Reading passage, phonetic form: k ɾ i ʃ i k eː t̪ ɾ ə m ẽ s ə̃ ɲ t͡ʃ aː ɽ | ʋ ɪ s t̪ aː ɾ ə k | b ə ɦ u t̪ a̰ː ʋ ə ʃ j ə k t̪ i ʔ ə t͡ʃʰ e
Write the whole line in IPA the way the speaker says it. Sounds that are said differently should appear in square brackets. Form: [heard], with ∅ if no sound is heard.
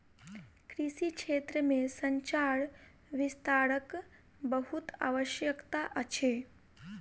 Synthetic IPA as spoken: k ɾ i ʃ i k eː t̪ ɾ ə m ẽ s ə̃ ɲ t͡ʃ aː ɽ | ʋ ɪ s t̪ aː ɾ ə k | b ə ɦ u t̪ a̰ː ʋ ə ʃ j ə k t̪ [a] ʔ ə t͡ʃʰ e

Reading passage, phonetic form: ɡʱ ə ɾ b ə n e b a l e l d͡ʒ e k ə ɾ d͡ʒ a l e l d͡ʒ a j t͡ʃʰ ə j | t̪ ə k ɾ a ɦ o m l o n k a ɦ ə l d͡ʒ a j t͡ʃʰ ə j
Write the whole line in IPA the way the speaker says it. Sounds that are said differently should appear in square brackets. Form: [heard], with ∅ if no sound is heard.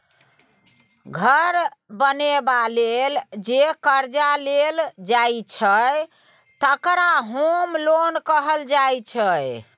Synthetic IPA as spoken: ɡʱ ə ɾ b ə n e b a l e l d͡ʒ e k ə ɾ d͡ʒ a l e l d͡ʒ a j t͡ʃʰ ə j | t̪ ə k ɾ a ɦ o m l o n k [ə] ɦ ə l d͡ʒ a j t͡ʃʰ ə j

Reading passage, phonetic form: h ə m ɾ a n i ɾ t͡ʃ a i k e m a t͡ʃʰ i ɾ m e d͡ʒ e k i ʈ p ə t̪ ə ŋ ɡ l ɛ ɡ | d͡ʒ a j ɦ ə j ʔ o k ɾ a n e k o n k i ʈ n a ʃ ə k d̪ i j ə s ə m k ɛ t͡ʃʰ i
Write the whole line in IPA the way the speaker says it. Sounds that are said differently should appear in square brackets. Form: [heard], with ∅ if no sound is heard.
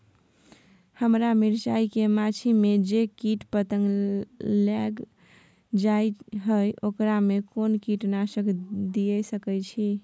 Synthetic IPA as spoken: h ə m ɾ a [m] i ɾ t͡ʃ a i k e m a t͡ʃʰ i [∅] m e d͡ʒ e k i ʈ p ə t̪ ə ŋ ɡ l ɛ ɡ | d͡ʒ a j ɦ ə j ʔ o k ɾ a [m] e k o n k i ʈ n a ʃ ə k d̪ i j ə s ə [∅] k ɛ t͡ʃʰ i

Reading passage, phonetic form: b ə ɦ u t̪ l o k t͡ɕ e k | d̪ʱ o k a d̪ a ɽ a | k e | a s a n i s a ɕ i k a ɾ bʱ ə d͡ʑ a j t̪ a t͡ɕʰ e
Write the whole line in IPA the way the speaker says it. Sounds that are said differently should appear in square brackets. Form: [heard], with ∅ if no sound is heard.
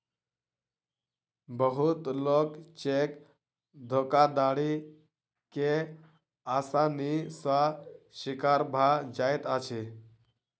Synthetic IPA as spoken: b ə ɦ u t̪ l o k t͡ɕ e k | d̪ʱ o k a d̪ a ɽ [i] | k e | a s a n i s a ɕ i k a ɾ bʱ [a] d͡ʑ a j t̪ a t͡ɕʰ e

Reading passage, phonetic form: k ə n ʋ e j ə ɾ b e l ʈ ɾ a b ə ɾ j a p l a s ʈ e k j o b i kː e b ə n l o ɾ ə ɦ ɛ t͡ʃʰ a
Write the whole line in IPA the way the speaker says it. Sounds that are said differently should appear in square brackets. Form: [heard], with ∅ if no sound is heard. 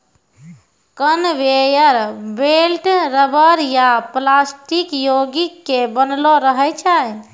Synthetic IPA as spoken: k ə n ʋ e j ə ɾ b e l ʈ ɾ [ə] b ə ɾ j a p l a s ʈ [i] k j o [ɡ] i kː e b ə n l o ɾ ə ɦ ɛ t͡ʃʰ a

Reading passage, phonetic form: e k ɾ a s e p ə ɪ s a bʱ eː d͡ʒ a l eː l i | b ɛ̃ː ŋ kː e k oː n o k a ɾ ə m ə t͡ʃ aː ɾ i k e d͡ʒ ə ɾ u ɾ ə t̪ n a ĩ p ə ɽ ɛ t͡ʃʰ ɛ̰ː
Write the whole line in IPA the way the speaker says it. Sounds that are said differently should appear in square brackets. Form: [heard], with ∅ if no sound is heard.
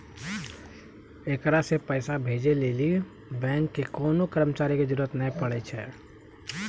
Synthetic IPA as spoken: e k ɾ a s e p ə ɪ s a bʱ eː d͡ʒ [e] l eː l i | b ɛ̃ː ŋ kː e k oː n o k [ə] ɾ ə m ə t͡ʃ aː ɾ i k e d͡ʒ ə ɾ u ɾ ə t̪ n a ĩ p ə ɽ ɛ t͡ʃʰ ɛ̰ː

